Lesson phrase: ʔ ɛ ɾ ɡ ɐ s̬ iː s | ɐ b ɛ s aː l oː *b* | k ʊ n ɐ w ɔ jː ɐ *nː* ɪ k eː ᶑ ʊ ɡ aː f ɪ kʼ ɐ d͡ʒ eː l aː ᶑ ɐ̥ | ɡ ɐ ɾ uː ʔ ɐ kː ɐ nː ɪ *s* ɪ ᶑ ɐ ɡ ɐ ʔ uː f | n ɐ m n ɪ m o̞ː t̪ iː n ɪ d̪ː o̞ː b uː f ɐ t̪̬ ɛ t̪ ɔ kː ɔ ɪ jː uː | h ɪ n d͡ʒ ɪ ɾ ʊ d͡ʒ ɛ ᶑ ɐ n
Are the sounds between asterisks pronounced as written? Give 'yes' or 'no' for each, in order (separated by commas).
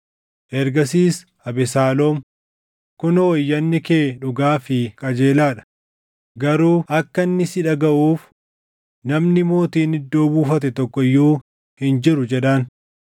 no, yes, yes